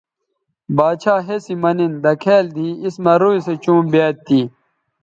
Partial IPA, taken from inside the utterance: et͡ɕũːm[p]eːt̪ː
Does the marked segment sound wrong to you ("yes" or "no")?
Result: yes